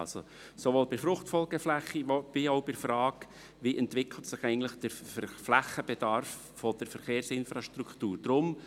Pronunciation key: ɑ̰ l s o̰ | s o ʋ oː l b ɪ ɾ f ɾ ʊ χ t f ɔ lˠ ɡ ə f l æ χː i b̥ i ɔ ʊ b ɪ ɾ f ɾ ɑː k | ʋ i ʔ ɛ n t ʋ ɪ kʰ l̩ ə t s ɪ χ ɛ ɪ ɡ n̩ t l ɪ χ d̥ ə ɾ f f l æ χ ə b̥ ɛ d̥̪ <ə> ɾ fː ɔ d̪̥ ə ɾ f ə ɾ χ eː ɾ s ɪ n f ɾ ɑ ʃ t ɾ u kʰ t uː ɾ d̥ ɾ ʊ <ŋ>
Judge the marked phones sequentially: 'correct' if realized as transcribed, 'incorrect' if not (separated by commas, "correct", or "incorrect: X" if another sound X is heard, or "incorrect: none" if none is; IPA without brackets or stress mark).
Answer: incorrect: ɑ, incorrect: m